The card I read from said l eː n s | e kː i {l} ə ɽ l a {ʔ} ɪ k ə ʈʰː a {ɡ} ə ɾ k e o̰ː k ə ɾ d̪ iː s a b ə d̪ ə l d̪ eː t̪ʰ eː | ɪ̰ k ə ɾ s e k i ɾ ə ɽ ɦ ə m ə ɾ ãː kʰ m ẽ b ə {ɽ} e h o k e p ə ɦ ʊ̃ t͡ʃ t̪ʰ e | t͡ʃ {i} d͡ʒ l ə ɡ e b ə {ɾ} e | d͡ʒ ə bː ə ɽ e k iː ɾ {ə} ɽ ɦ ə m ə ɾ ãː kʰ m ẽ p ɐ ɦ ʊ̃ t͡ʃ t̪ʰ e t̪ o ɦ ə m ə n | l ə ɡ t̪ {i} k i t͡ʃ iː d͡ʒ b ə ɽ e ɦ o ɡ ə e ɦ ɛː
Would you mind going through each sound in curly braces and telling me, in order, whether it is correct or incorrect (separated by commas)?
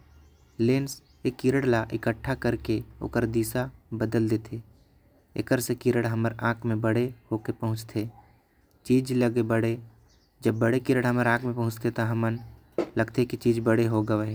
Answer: incorrect, correct, incorrect, correct, incorrect, incorrect, correct, incorrect